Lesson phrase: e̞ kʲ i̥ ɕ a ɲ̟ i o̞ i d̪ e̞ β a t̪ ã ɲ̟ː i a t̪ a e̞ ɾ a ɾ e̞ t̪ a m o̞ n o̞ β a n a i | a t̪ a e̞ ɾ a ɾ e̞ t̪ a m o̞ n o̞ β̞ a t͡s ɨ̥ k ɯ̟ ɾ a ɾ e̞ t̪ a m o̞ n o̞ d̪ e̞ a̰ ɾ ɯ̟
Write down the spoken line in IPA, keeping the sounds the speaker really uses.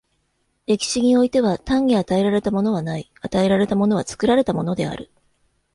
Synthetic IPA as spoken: e̞ kʲ i̥ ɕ i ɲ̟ i o̞ i t̪ e̞ β a t̪ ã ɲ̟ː i a t̪ a e̞ ɾ a ɾ e̞ t̪ a m o̞ n o̞ β a n a i | a t̪ a e̞ ɾ a ɾ e̞ t̪ a m o̞ n o̞ β̞ a t͡s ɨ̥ k ɯ̟ ɾ a ɾ e̞ t̪ a m o̞ n o̞ d̪ e̞ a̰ ɾ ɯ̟